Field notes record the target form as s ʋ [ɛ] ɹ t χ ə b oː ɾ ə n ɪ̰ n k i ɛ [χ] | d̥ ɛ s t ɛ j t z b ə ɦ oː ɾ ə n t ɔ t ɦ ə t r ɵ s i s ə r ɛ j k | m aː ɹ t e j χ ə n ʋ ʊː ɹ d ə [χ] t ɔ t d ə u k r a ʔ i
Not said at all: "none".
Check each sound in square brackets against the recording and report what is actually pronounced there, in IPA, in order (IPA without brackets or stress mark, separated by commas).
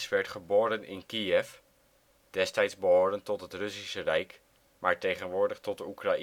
ɛ, f, χ